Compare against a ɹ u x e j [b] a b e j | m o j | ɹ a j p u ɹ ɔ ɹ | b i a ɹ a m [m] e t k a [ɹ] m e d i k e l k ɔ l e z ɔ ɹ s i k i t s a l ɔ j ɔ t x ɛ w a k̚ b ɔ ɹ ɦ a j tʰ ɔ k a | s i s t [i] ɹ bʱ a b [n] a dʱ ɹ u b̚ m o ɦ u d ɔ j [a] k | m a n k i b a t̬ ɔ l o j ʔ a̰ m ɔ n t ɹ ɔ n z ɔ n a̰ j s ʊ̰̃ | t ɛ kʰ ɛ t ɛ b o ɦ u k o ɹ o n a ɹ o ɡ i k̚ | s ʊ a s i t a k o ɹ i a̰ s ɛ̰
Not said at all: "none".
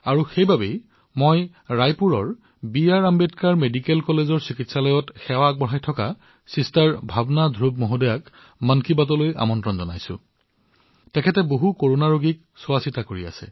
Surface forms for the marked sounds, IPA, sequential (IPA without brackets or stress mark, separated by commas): b, b, ɹ, a, n, a